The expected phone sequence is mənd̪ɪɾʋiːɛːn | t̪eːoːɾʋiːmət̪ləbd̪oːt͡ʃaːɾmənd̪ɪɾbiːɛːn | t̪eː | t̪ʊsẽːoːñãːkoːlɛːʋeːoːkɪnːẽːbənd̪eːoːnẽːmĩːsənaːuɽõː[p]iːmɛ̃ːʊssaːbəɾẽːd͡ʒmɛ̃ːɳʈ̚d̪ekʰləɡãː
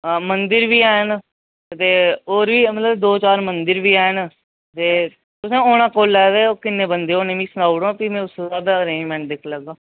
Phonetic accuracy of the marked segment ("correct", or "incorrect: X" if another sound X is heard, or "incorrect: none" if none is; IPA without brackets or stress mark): correct